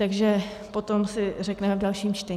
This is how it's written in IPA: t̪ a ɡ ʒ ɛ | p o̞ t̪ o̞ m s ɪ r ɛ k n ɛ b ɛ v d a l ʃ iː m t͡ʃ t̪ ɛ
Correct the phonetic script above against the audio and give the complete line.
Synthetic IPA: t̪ a ɡ ʒ ɛ | p o̞ t̪ o̞ m s ɪ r ɛ k n ɛ m ɛ v d a l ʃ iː m t͡ʃ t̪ ɛ